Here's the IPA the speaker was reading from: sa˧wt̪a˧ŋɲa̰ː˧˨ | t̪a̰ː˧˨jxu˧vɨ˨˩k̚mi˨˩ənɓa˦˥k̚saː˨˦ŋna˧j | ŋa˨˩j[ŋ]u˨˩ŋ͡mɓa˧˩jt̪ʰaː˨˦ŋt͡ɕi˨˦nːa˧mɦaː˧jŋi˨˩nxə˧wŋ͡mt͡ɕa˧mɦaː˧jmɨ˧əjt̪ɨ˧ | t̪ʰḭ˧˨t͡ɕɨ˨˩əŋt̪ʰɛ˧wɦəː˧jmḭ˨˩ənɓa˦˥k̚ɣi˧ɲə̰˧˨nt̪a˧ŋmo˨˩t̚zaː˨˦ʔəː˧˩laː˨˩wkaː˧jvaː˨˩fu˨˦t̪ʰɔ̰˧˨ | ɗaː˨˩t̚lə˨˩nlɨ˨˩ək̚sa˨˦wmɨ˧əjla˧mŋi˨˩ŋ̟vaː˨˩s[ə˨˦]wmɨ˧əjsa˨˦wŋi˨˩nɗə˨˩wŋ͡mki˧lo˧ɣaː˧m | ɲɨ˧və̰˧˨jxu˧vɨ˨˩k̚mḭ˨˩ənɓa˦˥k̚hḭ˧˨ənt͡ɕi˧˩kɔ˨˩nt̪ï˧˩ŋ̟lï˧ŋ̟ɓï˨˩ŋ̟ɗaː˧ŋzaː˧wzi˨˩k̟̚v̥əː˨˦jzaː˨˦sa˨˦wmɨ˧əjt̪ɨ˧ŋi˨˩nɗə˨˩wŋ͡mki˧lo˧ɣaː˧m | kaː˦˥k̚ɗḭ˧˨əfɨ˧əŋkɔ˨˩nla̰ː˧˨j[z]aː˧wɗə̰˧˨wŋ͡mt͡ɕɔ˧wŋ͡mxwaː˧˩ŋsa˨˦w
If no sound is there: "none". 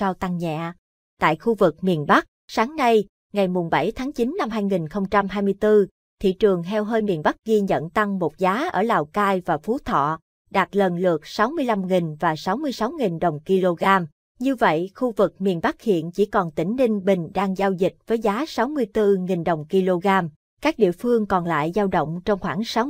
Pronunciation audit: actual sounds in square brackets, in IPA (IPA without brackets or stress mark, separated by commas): m, a˨˦, z